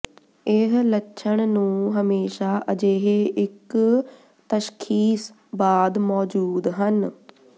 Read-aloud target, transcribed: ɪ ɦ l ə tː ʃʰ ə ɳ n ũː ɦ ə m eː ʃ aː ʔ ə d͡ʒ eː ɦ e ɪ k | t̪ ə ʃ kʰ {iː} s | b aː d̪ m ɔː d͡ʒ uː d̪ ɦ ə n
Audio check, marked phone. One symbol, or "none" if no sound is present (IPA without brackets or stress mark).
iː